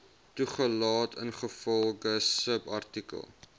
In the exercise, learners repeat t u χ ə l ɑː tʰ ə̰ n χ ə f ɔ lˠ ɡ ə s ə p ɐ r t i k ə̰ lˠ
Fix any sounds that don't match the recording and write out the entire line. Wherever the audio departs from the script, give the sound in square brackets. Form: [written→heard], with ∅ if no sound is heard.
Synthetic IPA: t u χ ə l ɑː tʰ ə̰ n χ ə f ɔ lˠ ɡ ə s ə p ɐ r t i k ə̰ lˠ